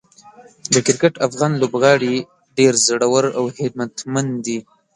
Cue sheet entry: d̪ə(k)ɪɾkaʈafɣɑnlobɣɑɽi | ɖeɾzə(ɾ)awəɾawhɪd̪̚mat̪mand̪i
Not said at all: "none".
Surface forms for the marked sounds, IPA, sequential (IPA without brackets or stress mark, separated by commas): k, ɽ